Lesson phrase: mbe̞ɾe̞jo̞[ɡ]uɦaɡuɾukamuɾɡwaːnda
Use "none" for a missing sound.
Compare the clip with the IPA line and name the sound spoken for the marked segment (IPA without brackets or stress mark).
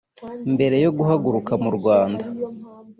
ɡ